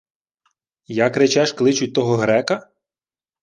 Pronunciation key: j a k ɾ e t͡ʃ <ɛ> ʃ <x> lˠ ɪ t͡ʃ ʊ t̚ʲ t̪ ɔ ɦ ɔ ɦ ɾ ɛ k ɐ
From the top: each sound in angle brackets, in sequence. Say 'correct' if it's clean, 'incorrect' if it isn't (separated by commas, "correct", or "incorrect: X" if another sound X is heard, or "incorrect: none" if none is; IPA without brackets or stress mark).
correct, incorrect: k